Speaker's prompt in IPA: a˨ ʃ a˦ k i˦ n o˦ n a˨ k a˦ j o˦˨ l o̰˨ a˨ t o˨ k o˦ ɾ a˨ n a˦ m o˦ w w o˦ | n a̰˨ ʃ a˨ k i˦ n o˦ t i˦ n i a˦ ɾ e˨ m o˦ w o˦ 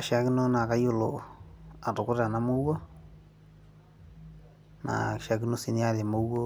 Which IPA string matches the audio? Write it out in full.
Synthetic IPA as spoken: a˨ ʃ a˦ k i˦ n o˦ n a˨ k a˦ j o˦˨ l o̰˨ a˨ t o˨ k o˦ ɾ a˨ n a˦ m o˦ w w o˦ | n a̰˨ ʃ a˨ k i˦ n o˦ s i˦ n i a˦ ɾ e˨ m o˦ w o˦